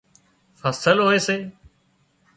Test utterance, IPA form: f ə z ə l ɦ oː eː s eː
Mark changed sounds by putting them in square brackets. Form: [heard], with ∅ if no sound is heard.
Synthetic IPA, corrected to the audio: f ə [s] ə l ɦ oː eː s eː